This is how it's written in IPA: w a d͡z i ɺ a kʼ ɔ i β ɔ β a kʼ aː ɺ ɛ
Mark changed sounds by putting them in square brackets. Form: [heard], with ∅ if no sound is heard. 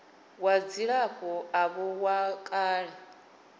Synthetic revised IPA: w a d͡z i ɺ a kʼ ɔ [a] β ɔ [w] a kʼ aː ɺ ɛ